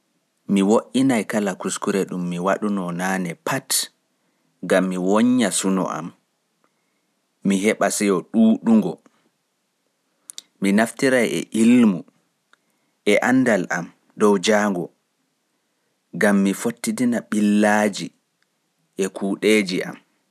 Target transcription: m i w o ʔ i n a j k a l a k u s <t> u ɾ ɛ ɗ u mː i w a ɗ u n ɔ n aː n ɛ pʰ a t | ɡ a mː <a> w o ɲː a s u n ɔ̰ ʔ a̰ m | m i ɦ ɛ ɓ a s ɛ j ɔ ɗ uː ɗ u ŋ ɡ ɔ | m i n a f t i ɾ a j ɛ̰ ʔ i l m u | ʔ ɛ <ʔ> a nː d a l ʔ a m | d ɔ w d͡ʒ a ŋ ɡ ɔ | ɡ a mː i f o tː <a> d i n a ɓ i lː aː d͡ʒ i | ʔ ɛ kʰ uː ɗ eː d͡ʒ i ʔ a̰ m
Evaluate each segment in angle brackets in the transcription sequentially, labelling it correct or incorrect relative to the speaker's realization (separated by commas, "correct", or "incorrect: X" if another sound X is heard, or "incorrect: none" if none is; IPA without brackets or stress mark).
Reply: incorrect: k, incorrect: i, correct, incorrect: i